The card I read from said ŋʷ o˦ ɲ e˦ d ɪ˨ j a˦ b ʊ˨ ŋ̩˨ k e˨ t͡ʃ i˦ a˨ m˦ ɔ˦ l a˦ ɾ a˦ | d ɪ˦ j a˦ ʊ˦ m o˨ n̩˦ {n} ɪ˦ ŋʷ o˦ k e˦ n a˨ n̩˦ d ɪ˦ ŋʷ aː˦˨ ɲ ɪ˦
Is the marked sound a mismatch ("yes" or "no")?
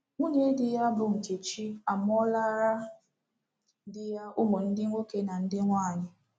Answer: yes